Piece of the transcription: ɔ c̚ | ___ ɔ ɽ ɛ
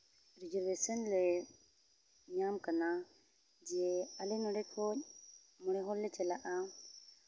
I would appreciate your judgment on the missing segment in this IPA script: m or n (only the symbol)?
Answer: m